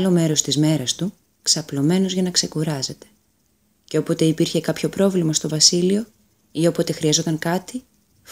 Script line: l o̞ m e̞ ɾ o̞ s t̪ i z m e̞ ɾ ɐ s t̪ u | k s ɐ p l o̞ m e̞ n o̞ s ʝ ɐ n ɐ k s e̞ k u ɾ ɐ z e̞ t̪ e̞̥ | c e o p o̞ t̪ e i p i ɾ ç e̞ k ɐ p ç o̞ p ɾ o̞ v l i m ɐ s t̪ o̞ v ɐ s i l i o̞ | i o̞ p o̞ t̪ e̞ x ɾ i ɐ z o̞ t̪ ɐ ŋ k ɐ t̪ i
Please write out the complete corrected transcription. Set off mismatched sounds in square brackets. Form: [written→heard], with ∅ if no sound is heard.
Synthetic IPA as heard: l o̞ m e̞ ɾ o̞ s t̪ i z m e̞ ɾ ɐ s t̪ u | k s ɐ p l o̞ m e̞ n o̞ [s→z] ʝ ɐ n ɐ k s e̞ k u ɾ ɐ z e̞ t̪ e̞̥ | c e o p o̞ t̪ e i p i ɾ ç e̞ k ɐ p ç o̞ p ɾ o̞ v l i m ɐ s t̪ o̞ v ɐ s i l i o̞ | i o̞ p o̞ t̪ e̞ x ɾ i ɐ z o̞ t̪ ɐ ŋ k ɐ t̪ i